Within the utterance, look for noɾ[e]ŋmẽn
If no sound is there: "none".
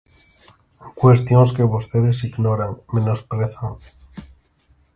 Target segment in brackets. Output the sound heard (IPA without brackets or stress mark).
a